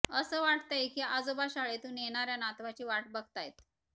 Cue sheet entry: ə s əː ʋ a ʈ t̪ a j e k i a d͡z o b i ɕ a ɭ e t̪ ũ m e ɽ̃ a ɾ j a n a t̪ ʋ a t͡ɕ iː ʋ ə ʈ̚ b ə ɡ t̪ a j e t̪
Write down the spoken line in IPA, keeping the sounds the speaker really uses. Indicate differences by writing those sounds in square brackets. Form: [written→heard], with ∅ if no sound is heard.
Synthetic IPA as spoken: ə s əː ʋ a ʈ t̪ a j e k i a d͡z o b [i→a] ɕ a ɭ e t̪ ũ [m→n] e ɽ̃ a ɾ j a n a t̪ ʋ a t͡ɕ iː ʋ [ə→a] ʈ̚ b ə ɡ t̪ a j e t̪